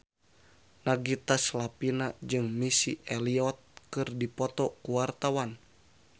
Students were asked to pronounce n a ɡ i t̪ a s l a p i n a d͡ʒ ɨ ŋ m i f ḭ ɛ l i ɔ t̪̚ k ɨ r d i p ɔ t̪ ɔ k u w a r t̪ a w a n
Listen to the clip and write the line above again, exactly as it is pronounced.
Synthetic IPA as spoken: n a ɡ i t̪ a s l a p i n a d͡ʒ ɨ ŋ m i s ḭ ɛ l i ɔ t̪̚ k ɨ r d i p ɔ t̪ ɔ k u w a r t̪ a w a n